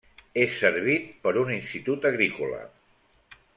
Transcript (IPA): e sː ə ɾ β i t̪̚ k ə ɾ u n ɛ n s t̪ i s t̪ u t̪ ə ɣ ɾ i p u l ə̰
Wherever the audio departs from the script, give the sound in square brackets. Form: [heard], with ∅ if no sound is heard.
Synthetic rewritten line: e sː ə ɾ β i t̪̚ [p] ə ɾ u n [i] n s t̪ i [∅] t̪ u t̪ ə ɣ ɾ i [k] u l ə̰